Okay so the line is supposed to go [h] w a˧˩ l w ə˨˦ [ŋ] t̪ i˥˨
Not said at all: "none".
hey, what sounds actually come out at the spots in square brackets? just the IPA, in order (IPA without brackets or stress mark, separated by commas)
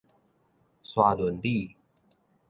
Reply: s, n